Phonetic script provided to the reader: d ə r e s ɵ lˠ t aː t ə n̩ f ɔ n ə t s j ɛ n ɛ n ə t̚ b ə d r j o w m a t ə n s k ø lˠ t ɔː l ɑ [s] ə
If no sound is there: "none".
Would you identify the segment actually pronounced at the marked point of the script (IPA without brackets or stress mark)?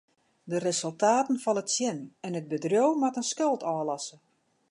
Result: s